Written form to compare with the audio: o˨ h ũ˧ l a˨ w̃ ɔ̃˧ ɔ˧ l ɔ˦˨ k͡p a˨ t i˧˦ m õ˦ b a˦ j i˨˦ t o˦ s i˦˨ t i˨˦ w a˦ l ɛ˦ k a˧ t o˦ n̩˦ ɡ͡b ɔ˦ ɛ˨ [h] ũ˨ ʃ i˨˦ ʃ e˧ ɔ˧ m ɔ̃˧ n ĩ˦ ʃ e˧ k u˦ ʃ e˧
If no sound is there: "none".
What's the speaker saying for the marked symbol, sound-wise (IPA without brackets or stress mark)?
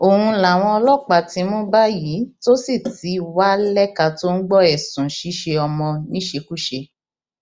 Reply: s